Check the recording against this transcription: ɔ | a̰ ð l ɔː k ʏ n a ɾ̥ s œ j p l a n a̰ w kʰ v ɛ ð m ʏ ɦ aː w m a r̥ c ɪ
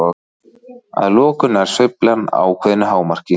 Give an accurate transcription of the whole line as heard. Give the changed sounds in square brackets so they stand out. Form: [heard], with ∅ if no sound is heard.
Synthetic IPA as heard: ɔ | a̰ ð l ɔː k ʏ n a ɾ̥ s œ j p l a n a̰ w kʰ v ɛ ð [n] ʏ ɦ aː w m a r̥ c ɪ